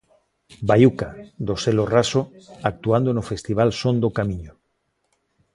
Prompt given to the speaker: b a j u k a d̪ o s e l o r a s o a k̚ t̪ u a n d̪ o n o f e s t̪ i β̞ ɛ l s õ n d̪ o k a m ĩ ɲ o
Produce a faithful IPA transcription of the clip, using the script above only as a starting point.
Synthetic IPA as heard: b a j u k a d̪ o s e l o r a s o a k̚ t̪ u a n d̪ o n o f e s t̪ i β̞ a l s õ n d̪ o k a m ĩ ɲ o